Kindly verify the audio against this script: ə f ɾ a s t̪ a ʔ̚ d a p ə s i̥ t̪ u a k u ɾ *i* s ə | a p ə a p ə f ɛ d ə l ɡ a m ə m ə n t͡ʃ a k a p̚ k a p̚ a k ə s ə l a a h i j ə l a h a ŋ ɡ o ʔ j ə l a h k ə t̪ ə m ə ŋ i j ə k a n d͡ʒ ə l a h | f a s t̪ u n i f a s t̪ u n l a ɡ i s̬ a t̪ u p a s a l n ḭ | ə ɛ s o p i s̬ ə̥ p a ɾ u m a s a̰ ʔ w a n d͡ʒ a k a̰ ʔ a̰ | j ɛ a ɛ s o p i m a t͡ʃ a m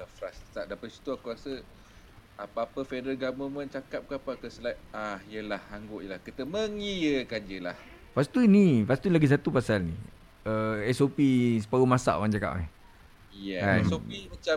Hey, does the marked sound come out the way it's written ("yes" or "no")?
no